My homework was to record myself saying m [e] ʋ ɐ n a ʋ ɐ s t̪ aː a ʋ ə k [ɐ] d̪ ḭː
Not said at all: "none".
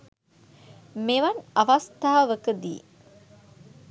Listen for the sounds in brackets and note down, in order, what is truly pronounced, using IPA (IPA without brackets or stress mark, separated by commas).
e, ə